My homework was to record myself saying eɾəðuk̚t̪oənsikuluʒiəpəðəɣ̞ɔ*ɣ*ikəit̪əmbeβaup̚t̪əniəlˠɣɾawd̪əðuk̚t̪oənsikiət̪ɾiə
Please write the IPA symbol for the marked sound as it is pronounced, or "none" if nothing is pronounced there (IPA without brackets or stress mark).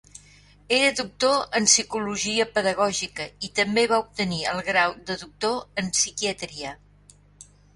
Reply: ʒ